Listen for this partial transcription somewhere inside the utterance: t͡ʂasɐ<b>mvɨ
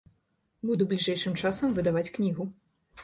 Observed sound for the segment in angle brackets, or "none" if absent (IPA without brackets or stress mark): none